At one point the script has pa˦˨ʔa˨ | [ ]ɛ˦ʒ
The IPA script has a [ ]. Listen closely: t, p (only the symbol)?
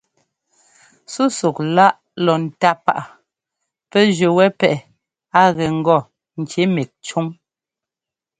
p